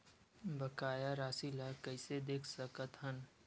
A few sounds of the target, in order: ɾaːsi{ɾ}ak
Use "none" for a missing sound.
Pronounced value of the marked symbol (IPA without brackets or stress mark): l